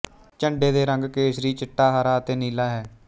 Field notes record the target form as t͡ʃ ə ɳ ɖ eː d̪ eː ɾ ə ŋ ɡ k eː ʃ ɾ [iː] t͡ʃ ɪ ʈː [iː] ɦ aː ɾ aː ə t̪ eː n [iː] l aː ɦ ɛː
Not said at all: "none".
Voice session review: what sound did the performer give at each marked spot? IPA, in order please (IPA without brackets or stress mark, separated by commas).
iː, aː, iː